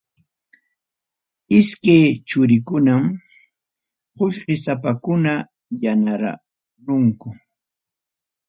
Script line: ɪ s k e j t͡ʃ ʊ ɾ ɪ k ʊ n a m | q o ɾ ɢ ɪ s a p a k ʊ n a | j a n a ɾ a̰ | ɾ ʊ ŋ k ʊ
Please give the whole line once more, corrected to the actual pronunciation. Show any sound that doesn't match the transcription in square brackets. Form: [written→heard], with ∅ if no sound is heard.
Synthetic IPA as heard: ɪ s k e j t͡ʃ ʊ ɾ ɪ k ʊ n a m | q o [ɾ→ʎ] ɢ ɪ s a p a k ʊ n a | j a n a ɾ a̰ | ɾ ʊ ŋ k ʊ